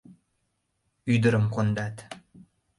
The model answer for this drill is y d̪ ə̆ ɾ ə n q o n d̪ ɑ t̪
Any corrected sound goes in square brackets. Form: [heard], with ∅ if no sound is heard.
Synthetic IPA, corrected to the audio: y d̪ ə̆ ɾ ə [m] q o n d̪ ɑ t̪

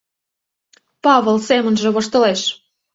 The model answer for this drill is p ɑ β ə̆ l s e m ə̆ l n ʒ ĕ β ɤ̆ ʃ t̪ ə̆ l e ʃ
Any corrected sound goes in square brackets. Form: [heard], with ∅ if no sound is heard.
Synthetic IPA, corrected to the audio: p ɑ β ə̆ l s e m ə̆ [∅] n ʒ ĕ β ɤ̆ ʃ t̪ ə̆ l e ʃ

